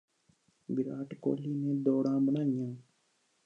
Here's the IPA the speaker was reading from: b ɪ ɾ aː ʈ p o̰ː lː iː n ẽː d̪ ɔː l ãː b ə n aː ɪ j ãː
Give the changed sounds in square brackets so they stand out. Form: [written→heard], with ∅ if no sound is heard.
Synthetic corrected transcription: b ɪ ɾ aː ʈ [p→k] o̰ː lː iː n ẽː d̪ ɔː [l→ɽ] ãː b ə n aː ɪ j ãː